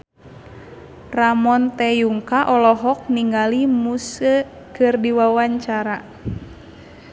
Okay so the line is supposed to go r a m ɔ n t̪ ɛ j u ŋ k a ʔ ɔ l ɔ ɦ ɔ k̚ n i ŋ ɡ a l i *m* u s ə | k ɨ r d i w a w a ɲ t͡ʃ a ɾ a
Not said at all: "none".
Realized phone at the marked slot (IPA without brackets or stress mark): m